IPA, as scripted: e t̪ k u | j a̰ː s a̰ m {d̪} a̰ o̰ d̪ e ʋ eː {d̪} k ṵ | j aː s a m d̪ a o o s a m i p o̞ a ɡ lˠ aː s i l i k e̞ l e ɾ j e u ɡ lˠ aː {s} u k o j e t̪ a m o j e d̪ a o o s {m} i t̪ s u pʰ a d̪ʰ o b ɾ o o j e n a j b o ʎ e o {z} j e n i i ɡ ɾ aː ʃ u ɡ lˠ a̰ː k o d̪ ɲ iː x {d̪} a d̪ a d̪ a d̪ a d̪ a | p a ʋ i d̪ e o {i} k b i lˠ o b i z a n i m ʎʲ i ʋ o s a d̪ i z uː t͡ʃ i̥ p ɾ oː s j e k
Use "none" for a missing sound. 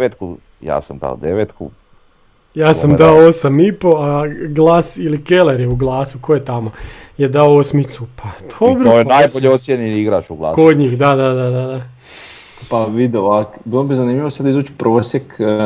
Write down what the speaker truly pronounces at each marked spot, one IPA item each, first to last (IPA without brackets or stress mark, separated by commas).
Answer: d̪, t̪, s, m, s, d̪, a